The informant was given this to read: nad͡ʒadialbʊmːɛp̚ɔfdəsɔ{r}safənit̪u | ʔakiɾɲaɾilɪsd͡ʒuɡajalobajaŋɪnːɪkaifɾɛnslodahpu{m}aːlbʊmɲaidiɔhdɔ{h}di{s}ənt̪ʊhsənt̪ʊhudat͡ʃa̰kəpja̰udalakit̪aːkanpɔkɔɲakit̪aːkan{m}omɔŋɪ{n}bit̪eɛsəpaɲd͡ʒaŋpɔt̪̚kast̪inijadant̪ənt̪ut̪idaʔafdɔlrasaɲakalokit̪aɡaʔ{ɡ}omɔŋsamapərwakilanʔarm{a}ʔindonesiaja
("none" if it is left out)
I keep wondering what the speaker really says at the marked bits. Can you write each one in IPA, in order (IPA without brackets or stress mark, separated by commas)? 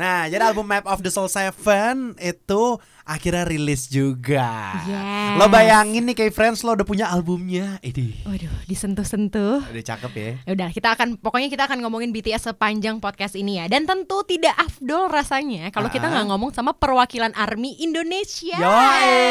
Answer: l, ɲ, h, s, ŋ, n, ŋ, i